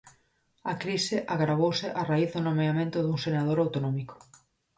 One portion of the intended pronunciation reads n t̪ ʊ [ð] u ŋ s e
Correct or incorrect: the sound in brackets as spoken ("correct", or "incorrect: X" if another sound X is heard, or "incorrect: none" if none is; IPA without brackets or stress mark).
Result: correct